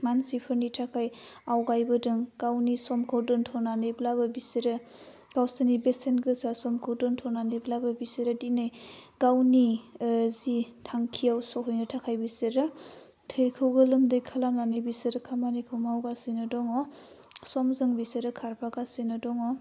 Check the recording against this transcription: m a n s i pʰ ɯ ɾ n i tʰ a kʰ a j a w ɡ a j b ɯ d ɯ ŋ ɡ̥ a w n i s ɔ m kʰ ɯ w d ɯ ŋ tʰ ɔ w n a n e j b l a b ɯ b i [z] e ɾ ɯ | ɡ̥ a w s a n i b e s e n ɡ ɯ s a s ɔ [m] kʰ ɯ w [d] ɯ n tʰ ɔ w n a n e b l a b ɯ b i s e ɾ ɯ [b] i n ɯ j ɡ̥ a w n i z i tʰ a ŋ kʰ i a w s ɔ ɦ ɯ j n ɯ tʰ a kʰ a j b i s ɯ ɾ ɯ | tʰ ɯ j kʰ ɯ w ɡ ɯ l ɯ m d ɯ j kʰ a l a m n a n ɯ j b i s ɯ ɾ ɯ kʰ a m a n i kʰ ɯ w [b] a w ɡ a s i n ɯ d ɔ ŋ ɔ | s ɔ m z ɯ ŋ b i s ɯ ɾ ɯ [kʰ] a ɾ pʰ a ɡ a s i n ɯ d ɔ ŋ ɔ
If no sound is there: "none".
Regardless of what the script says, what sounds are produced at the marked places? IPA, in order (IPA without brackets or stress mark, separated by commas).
s, m, d, d, m, kʰ